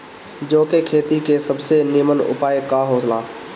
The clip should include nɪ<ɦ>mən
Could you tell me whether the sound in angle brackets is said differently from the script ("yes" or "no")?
yes